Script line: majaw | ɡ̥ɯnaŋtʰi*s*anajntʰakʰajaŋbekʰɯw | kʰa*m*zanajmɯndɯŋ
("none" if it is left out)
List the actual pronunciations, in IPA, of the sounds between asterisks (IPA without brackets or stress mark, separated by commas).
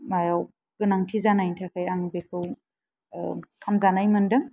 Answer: z, m